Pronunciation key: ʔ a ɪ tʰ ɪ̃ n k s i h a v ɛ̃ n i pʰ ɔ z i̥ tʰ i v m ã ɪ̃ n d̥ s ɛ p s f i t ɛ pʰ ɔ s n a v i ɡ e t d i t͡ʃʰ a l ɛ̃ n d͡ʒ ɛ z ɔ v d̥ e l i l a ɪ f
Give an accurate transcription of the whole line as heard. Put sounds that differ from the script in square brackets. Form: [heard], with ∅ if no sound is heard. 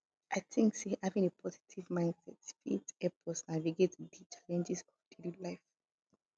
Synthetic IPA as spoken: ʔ a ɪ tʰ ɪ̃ [ŋ] k s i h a v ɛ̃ n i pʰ ɔ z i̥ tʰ i v m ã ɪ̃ n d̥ s ɛ [t] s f i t ɛ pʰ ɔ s n a v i ɡ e t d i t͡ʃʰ a l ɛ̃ n d͡ʒ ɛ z ɔ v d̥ e l i l a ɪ f